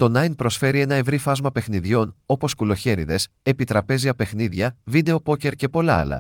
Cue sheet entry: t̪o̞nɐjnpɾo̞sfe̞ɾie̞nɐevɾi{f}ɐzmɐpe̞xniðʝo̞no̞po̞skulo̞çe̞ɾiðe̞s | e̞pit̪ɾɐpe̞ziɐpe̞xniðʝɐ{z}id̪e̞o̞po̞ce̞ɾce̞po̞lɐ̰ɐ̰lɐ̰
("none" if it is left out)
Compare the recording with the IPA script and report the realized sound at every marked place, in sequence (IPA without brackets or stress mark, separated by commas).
f, v